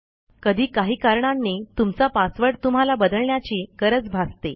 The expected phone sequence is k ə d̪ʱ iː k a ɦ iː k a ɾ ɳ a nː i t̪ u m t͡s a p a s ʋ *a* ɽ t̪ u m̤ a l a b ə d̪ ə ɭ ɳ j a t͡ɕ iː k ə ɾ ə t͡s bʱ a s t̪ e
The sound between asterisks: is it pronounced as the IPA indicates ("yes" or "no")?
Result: no